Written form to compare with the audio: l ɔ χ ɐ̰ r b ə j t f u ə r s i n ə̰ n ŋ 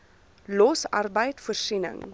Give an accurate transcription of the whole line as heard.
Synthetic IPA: l ɔ s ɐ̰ r b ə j t f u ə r s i n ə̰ ŋ